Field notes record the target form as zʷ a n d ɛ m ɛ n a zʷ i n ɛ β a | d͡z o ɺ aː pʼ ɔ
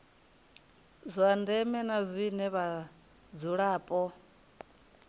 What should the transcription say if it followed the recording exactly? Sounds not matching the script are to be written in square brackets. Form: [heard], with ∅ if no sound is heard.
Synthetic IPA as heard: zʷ a n d ɛ m ɛ n a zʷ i n ɛ β a | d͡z [u] ɺ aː pʼ ɔ